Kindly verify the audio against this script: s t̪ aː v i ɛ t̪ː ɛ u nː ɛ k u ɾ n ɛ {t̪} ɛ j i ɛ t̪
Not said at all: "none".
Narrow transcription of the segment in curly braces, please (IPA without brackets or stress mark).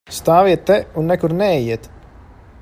none